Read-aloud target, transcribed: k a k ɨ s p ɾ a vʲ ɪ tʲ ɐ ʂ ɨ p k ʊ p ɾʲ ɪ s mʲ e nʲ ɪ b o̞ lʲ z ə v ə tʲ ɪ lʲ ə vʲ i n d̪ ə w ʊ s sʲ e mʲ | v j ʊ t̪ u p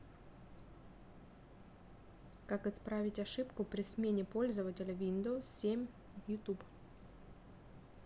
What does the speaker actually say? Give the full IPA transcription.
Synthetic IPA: k a k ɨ s p ɾ a vʲ ɪ tʲ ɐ ʂ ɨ p k ʊ p ɾʲ ɪ s mʲ e nʲ ɪ p o̞ lʲ z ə v ə tʲ ɪ lʲ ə vʲ i n d̪ ə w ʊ s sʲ e mʲ | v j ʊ t̪ u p

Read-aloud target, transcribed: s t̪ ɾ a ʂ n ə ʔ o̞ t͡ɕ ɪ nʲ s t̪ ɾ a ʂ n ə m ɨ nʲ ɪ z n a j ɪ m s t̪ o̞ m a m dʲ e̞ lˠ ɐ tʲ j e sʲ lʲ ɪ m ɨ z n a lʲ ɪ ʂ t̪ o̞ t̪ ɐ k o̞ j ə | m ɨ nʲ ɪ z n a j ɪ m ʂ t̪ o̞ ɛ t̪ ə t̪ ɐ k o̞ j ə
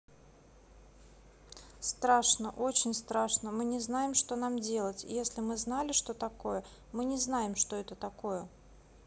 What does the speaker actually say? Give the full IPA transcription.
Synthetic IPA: s t̪ ɾ a ʂ n ə ʔ o̞ t͡ɕ ɪ nʲ s t̪ ɾ a ʂ n ə m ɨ nʲ ɪ z n a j ɪ m ʂ t̪ o̞ n a m dʲ e̞ lˠ ə tʲ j e sʲ lʲ ɪ m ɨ z n a lʲ ɪ ʂ t̪ o̞ t̪ ɐ k o̞ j ə | m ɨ nʲ ɪ z n a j ɪ m ʂ t̪ o̞ ɛ t̪ ə t̪ ɐ k o̞ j ə

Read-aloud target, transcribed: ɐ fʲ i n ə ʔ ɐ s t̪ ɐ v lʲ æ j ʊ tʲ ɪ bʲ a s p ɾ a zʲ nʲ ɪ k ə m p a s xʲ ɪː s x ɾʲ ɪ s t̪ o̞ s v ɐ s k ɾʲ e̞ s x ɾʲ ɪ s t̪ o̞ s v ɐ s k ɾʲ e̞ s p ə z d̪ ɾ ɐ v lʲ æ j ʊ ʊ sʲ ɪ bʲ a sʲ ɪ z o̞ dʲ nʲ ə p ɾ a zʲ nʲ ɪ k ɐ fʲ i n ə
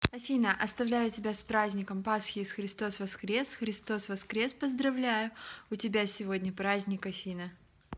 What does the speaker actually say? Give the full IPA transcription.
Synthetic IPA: ɐ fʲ i n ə ʔ ɐ s t̪ ɐ v lʲ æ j ʊ tʲ ɪ bʲ a s p ɾ a zʲ nʲ ɪ k ə m p a s xʲ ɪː s x ɾʲ ɪ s t̪ o̞ s v ɐ s k ɾʲ e̞ s x ɾʲ ɪ s t̪ o̞ s v ɐ s k ɾʲ e̞ s p ə z d̪ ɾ ɐ v lʲ æ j ʊ ʊ tʲ ɪ bʲ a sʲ ɪ v o̞ dʲ nʲ ə p ɾ a zʲ nʲ ɪ k ɐ fʲ i n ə

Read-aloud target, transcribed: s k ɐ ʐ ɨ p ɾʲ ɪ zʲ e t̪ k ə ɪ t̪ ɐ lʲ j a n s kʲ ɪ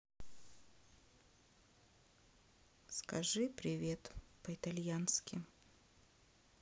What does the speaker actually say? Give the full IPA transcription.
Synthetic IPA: s k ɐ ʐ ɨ p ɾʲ ɪ vʲ e t̪ p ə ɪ t̪ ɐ lʲ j a n s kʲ ɪ

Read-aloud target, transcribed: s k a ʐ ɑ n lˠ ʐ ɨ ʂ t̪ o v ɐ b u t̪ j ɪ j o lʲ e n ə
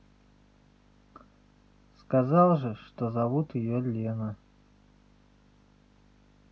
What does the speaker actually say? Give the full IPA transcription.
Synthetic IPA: s k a z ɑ lˠ ʐ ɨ ʂ t̪ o z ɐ v u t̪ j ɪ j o lʲ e n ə

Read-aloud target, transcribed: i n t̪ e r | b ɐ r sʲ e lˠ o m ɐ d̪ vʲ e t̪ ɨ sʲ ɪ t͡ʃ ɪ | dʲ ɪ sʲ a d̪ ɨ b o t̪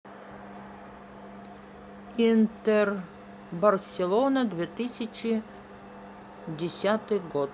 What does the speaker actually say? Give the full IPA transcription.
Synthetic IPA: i n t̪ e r | b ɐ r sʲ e lˠ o n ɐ d̪ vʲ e t̪ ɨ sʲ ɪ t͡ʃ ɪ | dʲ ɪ sʲ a t̪ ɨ ɡ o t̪

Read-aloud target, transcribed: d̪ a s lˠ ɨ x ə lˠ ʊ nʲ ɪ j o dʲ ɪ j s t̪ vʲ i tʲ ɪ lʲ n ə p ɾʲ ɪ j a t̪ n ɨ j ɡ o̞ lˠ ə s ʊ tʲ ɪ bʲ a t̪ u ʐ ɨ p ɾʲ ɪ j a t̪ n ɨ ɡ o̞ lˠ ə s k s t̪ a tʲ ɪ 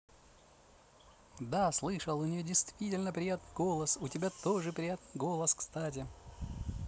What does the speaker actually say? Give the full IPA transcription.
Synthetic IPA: d̪ a s lˠ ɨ ʂ ə lˠ ʊ nʲ ɪ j o dʲ ɪ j s t̪ vʲ i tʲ ɪ lʲ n ə p ɾʲ ɪ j a t̪ n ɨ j ɡ o̞ lˠ ə s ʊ tʲ ɪ bʲ a t̪ o ʐ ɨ p ɾʲ ɪ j a t̪ n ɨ ɡ o̞ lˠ ə s k s t̪ a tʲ ɪ

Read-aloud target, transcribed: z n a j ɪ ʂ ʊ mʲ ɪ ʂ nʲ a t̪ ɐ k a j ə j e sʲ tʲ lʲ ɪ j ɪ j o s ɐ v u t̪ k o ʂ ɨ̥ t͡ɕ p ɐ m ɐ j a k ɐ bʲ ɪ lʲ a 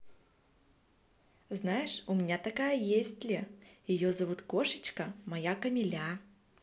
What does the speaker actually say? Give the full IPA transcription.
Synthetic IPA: z n a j ɪ ʂ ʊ mʲ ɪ nʲ a t̪ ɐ k a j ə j e sʲ tʲ lʲ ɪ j ɪ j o z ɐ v u t̪ k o ʂ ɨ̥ t͡ɕ k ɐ m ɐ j a k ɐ mʲ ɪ lʲ a

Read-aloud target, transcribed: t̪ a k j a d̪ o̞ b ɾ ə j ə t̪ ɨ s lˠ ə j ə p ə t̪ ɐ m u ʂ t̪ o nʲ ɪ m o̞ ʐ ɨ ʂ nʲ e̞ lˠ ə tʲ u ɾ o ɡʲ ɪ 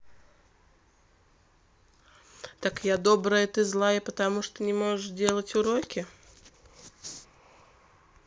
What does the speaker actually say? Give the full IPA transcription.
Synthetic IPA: t̪ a k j a d̪ o̞ b ɾ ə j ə t̪ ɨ z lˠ a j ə p ə t̪ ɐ m u ʂ t̪ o nʲ ɪ m o̞ ʐ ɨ ʂ dʲ e̞ lˠ ə tʲ ʊ ɾ o kʲ ɪ

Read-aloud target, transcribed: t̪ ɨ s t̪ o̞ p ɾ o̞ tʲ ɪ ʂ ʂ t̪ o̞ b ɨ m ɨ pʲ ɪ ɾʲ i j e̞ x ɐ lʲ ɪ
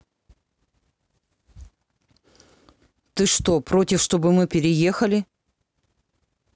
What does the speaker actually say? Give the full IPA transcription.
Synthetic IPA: t̪ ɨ ʂ t̪ o̞ p ɾ o̞ tʲ ɪ f ʂ t̪ o̞ b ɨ m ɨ pʲ ɪ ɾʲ ɪ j e̞ x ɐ lʲ ɪ

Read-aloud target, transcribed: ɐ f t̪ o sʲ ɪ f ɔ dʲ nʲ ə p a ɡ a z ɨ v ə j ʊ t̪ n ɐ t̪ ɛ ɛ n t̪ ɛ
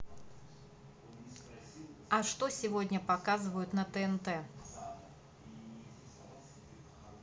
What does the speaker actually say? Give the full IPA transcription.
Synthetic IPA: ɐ ʂ t̪ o sʲ ɪ v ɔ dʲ nʲ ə p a k a z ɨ v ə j ʊ t̪ n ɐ t̪ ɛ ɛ n t̪ ɛ

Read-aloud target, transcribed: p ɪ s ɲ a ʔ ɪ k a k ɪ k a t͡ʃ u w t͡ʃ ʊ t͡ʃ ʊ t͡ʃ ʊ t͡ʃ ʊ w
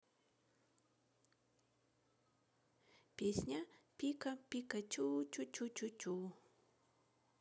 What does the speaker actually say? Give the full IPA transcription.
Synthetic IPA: p ɪ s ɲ a p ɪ k a p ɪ k a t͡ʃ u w t͡ʃ ʊ t͡ʃ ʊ t͡ʃ ʊ t͡ʃ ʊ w

